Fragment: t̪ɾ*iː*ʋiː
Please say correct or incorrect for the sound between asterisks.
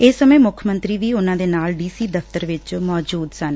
correct